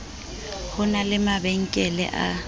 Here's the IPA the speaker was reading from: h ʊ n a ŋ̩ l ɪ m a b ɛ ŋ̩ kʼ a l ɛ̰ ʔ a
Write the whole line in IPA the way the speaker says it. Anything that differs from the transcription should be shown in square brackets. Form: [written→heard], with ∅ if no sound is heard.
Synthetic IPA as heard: h ʊ n a [ŋ̩→∅] l ɪ m a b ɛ ŋ̩ kʼ [a→ɛ] l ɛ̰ ʔ a